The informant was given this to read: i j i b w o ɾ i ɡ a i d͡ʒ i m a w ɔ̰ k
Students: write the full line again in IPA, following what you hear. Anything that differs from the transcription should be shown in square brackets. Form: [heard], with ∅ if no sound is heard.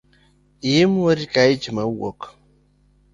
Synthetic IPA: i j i [m] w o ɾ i [k] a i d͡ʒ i m a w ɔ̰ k